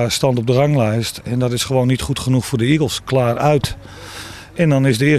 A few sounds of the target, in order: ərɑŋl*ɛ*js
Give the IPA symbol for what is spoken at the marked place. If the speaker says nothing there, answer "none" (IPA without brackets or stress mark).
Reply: ɛ